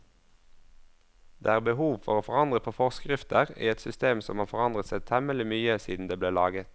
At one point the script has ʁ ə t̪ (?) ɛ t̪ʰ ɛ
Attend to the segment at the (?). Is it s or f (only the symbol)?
s